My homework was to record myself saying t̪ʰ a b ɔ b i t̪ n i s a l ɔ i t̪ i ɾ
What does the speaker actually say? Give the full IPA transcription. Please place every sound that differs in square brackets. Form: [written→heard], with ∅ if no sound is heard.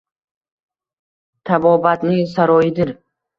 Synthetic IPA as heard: t̪ʰ a b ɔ b [i→a] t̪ n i s a [l→ɾ] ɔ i [t̪→d̪] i ɾ